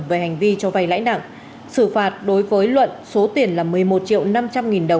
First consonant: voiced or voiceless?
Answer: voiced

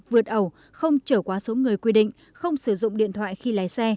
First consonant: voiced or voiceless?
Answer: voiced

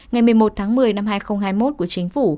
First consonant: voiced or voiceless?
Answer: voiced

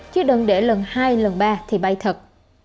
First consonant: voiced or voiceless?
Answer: voiceless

